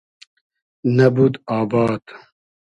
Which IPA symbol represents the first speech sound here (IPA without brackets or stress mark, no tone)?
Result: n